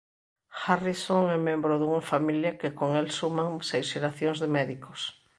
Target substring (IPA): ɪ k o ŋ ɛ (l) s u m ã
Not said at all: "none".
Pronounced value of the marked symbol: l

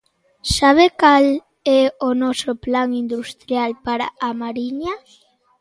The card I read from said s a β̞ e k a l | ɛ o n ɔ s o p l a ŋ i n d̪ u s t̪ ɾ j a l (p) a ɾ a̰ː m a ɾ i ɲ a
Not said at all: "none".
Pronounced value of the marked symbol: p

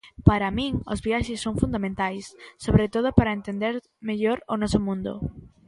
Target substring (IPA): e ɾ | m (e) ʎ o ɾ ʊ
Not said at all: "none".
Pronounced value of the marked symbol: e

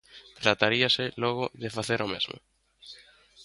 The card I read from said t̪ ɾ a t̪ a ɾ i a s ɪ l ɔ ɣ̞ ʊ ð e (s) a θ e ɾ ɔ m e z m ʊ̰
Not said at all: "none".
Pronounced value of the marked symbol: f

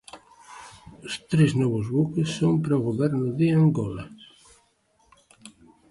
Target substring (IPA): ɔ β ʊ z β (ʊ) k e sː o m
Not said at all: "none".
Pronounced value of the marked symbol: u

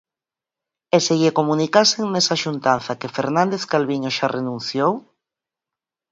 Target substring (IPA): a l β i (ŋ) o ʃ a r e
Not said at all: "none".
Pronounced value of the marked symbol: ɲ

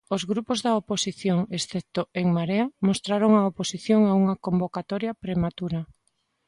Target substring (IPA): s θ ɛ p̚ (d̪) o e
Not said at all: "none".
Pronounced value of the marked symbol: t̪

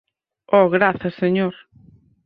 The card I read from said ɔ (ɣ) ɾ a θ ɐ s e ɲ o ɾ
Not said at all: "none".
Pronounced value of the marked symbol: ɣ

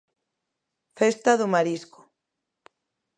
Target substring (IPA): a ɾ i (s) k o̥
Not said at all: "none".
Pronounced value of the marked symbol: s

